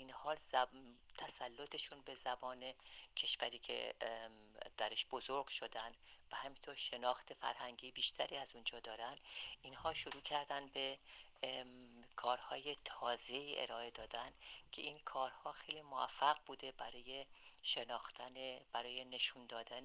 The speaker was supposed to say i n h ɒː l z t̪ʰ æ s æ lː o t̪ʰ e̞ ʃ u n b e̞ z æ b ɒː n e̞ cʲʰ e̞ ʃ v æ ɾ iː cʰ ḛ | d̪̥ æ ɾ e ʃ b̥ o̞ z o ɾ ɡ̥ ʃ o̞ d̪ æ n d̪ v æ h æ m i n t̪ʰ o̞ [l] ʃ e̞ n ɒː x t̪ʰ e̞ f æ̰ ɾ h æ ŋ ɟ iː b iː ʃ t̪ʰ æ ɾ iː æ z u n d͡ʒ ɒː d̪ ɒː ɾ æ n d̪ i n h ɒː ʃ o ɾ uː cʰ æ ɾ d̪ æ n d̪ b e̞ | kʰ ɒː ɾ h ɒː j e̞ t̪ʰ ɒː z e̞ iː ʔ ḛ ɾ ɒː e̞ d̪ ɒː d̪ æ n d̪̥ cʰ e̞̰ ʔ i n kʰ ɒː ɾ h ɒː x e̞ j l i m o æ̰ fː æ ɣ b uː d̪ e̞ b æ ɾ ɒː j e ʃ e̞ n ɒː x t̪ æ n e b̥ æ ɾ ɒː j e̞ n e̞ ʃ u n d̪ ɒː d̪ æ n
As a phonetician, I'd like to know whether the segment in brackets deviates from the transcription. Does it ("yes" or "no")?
yes